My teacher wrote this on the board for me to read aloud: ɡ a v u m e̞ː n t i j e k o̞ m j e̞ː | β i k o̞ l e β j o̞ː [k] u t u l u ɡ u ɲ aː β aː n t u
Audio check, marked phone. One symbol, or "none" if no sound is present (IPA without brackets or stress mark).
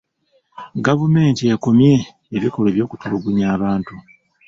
k